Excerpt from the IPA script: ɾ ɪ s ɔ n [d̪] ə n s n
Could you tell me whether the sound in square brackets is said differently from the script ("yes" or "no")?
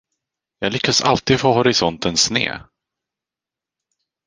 yes